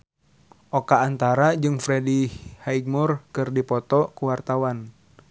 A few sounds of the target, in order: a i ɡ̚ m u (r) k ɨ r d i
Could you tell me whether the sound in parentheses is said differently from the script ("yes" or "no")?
no